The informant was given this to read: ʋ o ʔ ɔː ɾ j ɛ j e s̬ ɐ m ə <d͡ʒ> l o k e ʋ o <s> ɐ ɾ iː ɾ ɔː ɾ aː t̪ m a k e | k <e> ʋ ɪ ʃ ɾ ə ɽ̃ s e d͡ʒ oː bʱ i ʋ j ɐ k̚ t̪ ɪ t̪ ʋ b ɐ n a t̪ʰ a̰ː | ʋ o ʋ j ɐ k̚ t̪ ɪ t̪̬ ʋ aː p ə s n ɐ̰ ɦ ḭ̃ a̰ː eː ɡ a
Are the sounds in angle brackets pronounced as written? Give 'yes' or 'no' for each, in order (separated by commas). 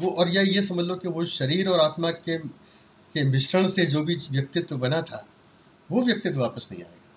yes, no, yes